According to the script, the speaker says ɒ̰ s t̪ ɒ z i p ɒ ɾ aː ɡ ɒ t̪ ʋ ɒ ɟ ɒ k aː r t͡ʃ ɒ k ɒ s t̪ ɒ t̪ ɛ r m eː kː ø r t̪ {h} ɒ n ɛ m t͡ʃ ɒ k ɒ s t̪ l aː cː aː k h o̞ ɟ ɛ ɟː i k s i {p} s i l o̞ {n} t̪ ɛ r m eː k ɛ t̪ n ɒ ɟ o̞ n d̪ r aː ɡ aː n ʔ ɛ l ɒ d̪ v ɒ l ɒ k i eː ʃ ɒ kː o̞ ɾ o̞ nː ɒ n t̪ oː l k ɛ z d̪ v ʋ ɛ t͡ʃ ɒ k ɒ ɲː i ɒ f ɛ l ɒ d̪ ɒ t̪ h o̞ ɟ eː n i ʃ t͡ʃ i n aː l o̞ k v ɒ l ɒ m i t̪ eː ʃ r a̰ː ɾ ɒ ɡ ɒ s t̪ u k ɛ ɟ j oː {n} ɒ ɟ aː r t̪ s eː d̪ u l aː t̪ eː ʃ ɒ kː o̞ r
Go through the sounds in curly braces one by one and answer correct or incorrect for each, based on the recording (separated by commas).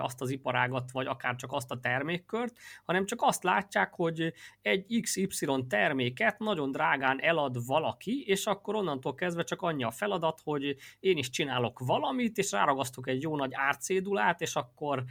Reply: correct, correct, correct, correct